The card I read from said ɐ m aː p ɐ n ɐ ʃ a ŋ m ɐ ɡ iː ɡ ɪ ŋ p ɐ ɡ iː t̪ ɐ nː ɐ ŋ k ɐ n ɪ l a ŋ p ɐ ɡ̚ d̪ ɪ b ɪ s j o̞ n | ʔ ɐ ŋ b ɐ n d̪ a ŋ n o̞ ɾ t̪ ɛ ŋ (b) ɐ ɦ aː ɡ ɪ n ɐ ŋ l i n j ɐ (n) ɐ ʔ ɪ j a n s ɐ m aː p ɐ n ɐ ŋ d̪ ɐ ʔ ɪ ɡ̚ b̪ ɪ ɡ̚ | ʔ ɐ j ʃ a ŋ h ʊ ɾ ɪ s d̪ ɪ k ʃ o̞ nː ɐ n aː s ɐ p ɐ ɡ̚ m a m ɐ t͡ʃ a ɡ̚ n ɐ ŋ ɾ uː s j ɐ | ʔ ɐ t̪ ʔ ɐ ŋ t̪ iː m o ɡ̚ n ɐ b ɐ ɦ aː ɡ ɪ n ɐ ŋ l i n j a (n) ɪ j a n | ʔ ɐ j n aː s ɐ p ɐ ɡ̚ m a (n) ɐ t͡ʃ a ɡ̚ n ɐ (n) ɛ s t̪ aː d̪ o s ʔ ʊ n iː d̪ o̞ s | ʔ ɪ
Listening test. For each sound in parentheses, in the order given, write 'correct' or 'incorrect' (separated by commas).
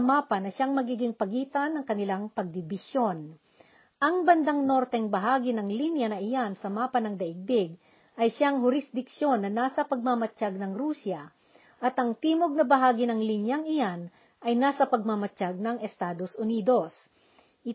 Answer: correct, correct, incorrect, incorrect, incorrect